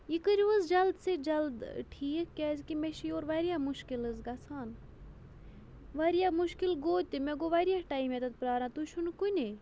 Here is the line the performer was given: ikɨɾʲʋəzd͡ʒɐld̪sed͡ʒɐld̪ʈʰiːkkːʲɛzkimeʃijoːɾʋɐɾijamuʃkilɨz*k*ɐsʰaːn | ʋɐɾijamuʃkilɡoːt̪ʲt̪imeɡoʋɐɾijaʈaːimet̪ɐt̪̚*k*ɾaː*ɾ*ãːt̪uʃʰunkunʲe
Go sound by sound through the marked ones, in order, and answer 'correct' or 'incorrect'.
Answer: incorrect, incorrect, correct

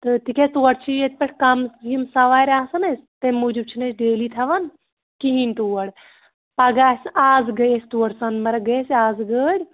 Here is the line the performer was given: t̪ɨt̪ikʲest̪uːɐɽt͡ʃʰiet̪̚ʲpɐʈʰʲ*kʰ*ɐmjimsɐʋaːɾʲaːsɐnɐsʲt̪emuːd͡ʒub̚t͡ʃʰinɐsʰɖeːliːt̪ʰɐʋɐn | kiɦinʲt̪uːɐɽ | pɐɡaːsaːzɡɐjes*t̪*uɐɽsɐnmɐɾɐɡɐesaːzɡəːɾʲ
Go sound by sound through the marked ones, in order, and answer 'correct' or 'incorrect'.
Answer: incorrect, correct

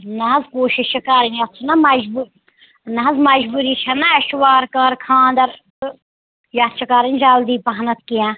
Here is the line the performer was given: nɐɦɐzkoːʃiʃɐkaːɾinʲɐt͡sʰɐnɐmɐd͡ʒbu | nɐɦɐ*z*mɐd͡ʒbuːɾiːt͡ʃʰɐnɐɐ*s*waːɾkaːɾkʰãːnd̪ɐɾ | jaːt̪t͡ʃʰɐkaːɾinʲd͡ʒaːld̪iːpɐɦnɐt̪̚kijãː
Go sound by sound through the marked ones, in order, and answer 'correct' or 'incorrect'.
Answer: correct, incorrect

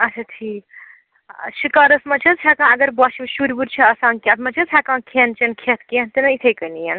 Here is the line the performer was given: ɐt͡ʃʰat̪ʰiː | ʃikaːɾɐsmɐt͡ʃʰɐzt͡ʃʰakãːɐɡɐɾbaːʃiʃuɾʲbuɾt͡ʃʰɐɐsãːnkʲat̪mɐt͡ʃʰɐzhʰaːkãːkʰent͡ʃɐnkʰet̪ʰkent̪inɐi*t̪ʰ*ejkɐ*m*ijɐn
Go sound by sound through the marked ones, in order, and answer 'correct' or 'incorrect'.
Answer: correct, incorrect

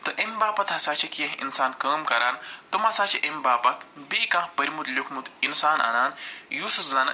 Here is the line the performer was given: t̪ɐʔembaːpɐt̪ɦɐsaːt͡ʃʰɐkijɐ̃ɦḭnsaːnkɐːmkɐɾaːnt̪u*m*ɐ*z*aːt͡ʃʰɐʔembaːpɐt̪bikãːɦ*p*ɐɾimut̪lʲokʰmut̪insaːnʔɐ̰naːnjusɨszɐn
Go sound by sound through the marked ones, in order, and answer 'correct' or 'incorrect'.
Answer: correct, incorrect, correct

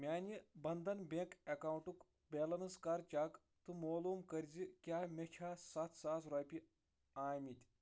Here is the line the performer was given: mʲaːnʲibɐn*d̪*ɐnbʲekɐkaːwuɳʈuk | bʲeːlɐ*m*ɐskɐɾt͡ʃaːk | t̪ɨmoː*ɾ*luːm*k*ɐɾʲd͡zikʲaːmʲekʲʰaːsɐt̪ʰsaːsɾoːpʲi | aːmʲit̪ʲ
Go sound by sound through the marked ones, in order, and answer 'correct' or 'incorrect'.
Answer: correct, incorrect, incorrect, correct

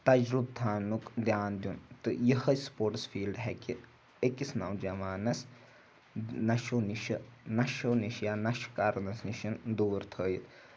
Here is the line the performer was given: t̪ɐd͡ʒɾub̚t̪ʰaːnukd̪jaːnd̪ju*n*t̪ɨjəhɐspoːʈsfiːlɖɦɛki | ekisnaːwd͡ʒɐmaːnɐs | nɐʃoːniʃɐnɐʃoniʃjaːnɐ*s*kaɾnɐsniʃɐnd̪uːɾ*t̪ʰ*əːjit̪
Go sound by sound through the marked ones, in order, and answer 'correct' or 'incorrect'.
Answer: correct, incorrect, correct

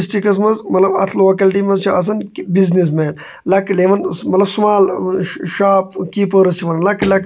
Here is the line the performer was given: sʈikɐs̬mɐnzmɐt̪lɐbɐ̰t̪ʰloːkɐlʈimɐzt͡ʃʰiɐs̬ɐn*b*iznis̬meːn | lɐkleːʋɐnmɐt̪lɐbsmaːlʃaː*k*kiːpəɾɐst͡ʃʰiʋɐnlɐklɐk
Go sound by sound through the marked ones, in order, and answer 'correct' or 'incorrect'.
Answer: correct, incorrect

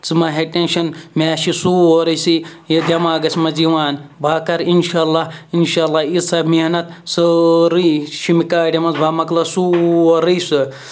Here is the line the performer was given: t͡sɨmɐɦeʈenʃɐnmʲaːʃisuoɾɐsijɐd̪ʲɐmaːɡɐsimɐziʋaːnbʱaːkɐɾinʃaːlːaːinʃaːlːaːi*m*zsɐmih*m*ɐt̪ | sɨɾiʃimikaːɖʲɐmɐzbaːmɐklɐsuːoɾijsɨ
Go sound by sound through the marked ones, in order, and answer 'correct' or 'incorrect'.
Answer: incorrect, incorrect

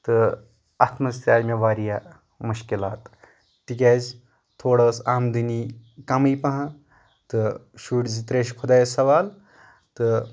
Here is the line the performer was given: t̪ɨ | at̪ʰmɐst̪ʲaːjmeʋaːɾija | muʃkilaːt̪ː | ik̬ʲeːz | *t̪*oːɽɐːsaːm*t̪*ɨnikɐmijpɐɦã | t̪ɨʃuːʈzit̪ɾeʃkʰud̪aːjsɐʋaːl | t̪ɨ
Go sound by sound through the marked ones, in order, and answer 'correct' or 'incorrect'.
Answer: incorrect, incorrect

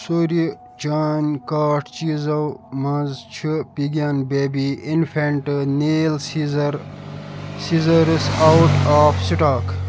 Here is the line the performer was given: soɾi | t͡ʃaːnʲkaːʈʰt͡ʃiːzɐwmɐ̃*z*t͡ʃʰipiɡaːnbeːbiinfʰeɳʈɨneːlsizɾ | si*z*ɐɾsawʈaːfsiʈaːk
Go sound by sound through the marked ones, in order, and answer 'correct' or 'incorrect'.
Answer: correct, correct

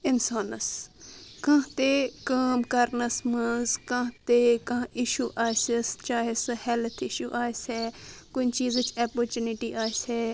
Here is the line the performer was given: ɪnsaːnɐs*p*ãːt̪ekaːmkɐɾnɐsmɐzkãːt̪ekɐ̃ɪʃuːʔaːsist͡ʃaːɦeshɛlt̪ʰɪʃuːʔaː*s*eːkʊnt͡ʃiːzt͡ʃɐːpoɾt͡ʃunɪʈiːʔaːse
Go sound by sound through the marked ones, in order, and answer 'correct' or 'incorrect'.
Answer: incorrect, correct

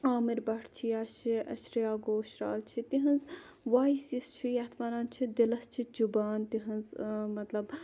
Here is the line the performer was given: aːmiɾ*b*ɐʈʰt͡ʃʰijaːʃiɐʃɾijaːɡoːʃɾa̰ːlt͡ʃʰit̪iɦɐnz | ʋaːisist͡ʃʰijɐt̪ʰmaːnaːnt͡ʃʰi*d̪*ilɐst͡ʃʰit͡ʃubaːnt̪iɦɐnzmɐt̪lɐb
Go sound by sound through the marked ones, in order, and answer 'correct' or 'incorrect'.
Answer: correct, correct

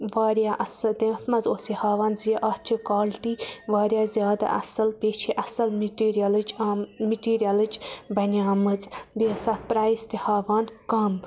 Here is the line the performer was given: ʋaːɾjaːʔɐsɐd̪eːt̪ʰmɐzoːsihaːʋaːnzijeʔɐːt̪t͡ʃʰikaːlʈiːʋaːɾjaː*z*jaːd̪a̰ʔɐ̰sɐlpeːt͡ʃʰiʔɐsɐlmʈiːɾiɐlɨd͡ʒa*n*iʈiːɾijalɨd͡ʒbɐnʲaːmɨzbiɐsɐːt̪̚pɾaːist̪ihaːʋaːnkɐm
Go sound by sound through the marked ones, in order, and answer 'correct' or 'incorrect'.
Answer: correct, incorrect

